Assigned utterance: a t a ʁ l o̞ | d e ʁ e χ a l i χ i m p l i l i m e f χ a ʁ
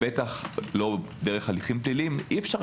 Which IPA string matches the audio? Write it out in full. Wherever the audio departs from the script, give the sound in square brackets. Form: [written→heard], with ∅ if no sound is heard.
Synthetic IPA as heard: [a→e] t a [ʁ→χ] l o̞ | d e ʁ e χ a l i χ i m p l i l i m [e→i] f [χ→ʃ] a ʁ